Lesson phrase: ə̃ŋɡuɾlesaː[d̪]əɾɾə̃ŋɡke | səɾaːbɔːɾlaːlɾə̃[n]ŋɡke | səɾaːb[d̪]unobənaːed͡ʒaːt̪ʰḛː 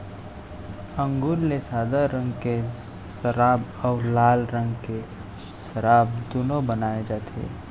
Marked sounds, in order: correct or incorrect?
correct, incorrect: none, correct

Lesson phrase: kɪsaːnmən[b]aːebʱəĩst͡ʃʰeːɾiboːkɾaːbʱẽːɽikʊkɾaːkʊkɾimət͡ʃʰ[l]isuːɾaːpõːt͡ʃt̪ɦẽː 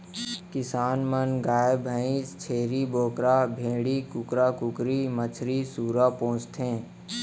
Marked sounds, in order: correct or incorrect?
incorrect: ɡ, incorrect: ɾ

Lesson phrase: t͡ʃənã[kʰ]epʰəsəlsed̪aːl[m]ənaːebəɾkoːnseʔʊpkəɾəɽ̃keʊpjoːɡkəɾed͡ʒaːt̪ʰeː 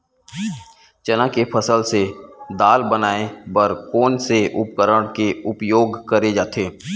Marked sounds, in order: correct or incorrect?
incorrect: k, incorrect: b

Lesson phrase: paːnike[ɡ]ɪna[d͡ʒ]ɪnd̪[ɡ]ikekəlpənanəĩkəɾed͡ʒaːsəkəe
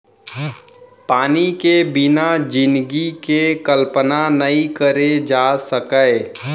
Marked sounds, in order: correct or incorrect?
incorrect: b, correct, correct

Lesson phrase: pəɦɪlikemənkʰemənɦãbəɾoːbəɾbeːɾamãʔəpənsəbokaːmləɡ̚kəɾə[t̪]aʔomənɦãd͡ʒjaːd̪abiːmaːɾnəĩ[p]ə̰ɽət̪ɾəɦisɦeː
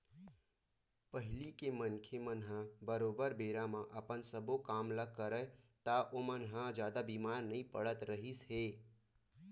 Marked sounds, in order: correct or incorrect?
correct, correct

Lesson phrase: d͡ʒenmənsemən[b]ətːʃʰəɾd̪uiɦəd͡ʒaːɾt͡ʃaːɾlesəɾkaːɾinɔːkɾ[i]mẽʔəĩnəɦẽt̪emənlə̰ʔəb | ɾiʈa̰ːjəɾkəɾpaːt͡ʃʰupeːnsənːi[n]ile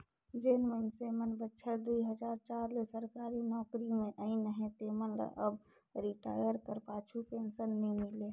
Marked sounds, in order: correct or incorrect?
correct, correct, incorrect: m

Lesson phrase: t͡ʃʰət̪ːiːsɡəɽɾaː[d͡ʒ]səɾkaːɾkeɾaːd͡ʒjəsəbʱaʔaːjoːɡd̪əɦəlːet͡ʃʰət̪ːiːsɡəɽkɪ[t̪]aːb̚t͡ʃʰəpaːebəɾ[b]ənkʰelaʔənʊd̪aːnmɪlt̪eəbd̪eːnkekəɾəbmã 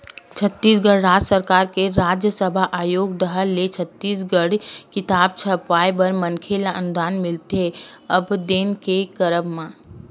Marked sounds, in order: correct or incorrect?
correct, correct, incorrect: m

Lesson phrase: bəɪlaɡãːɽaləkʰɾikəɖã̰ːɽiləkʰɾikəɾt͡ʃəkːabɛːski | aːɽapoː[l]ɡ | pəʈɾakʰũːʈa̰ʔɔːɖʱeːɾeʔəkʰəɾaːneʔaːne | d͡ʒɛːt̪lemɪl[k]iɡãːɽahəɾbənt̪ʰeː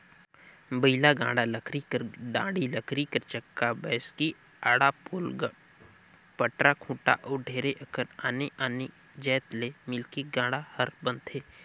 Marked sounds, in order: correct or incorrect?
correct, correct

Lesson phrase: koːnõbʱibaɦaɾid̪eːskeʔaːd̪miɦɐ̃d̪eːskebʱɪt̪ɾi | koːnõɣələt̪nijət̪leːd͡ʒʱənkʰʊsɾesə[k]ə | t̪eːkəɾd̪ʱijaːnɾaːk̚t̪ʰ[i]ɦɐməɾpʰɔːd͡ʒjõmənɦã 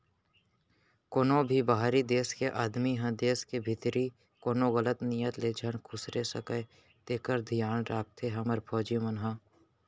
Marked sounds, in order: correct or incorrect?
correct, incorrect: e

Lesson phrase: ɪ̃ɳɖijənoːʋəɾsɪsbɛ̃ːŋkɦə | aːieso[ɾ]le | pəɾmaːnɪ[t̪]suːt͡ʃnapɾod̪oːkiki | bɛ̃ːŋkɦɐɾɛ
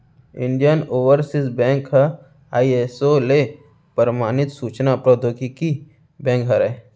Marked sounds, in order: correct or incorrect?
incorrect: none, correct

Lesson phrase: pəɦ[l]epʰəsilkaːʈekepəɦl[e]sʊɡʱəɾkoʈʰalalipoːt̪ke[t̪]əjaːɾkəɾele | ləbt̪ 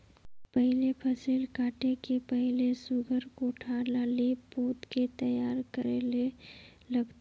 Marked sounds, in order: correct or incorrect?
correct, correct, correct

